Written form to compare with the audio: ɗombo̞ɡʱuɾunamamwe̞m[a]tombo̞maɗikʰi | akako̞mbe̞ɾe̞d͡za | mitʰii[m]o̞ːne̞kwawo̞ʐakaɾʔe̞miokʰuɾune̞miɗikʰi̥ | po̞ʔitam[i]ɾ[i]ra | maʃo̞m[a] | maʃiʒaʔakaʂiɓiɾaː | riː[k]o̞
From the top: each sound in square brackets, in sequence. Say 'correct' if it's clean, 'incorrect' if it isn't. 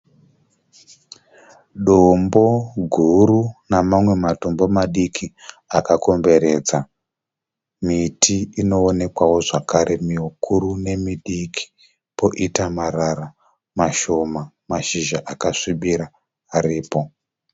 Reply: correct, incorrect, incorrect, incorrect, correct, incorrect

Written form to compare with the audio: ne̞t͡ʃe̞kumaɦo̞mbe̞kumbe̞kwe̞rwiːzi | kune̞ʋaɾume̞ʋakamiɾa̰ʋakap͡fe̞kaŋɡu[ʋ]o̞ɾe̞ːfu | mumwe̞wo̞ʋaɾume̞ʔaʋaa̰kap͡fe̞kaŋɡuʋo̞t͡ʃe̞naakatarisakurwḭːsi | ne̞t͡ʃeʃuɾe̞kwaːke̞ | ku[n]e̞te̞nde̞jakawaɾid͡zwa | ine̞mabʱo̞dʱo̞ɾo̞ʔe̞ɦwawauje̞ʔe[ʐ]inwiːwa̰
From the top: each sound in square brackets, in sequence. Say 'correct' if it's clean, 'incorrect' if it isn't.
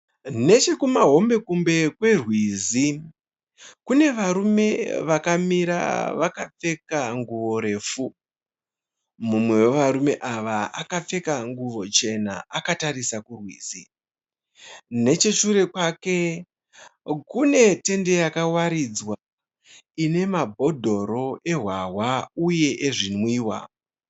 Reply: correct, correct, correct

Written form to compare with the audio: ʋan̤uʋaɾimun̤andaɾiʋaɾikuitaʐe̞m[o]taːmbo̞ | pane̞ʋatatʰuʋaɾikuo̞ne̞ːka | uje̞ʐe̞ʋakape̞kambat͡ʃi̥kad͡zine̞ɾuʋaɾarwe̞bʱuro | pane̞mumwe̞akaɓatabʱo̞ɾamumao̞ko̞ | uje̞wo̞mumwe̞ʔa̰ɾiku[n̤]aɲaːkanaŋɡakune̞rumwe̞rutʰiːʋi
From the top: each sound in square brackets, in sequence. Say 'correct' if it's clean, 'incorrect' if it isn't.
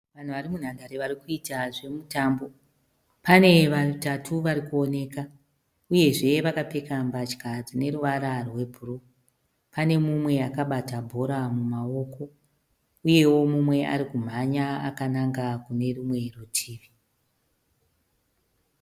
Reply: incorrect, incorrect

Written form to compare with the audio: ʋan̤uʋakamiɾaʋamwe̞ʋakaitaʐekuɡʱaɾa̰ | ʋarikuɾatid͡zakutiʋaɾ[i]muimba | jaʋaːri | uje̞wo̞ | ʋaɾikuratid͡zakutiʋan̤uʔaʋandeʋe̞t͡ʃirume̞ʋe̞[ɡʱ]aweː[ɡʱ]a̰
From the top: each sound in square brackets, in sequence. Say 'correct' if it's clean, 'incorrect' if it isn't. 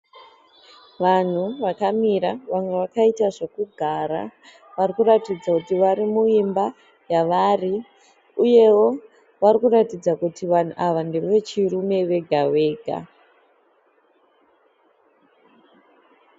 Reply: correct, correct, correct

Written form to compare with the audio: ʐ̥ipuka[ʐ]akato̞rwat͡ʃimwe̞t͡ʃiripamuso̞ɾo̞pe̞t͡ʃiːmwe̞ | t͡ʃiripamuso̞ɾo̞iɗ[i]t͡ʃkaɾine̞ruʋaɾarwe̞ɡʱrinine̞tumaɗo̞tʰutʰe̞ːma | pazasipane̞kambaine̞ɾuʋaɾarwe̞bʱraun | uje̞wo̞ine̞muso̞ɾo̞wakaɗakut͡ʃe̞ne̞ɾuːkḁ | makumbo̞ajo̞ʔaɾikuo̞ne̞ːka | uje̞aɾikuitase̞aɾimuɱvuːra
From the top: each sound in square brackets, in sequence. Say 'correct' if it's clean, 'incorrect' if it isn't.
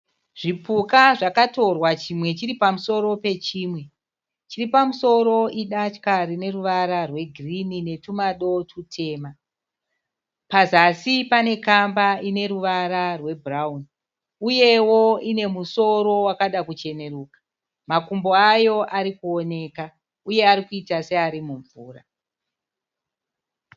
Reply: correct, incorrect

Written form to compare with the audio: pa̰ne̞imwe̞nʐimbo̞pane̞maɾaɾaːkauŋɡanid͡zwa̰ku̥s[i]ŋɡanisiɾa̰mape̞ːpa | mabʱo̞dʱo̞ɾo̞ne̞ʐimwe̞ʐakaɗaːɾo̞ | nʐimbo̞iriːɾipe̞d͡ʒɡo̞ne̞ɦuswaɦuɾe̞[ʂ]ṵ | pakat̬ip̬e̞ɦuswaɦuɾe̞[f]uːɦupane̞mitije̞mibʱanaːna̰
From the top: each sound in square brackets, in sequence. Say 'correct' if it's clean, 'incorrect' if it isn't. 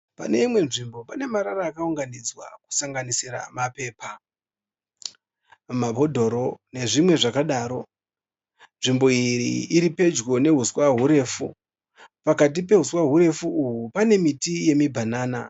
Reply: incorrect, incorrect, correct

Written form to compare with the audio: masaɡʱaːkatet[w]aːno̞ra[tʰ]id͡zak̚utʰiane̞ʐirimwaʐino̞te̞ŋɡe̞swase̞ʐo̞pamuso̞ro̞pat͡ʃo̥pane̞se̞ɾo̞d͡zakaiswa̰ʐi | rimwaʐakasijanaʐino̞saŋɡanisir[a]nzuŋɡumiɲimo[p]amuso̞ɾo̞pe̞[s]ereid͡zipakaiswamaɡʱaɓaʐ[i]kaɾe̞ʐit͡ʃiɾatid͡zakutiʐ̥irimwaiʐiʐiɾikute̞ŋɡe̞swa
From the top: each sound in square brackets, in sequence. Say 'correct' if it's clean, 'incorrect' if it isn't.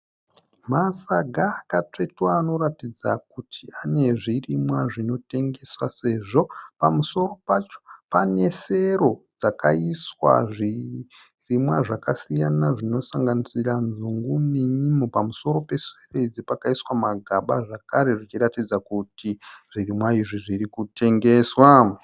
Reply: correct, incorrect, correct, correct, correct, incorrect

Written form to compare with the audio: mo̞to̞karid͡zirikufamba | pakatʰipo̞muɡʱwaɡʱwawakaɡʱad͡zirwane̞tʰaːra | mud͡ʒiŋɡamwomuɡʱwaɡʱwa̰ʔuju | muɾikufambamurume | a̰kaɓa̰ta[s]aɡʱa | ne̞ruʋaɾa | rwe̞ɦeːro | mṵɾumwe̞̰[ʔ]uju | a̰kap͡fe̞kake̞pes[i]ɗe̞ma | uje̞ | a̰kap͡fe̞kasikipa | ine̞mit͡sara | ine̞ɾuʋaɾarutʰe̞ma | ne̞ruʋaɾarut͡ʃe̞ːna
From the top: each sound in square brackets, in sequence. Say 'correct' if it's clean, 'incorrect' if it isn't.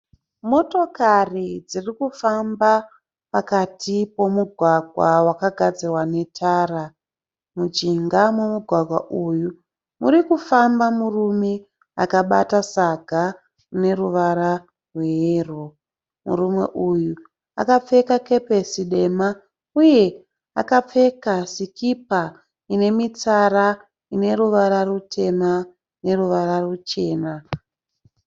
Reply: correct, correct, correct

